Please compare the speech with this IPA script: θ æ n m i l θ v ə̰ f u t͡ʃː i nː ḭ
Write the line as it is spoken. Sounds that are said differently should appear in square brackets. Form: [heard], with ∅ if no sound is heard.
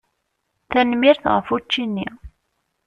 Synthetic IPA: θ æ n m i [ɾ] θ [ʁ] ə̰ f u t͡ʃː i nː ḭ